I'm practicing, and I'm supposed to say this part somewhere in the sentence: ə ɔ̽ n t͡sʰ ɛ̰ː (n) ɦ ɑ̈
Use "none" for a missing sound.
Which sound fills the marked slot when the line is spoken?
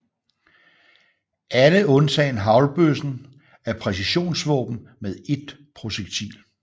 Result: n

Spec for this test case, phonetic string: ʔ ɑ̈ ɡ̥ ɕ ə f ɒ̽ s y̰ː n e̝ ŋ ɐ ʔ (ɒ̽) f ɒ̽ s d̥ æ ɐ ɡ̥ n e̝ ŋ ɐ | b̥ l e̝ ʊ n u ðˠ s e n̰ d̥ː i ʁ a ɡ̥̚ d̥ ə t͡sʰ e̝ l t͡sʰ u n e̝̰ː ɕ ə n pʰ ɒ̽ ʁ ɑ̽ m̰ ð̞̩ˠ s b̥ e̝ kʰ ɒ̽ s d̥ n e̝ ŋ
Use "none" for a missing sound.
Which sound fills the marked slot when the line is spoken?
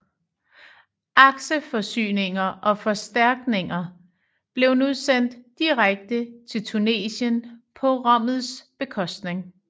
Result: ɒ̽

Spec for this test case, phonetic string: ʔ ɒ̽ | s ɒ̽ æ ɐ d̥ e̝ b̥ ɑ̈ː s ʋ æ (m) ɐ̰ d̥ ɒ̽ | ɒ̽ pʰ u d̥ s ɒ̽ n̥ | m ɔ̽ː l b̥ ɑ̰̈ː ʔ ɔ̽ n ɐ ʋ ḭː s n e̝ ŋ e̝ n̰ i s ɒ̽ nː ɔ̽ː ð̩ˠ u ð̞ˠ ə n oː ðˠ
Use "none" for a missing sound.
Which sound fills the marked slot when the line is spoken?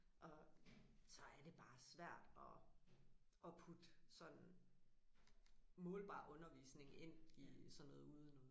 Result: none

